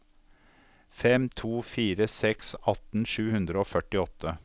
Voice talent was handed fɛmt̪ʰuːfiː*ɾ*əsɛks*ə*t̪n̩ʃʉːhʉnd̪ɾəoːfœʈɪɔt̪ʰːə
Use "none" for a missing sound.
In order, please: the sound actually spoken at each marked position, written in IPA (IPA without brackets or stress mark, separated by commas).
ɾ, ɑ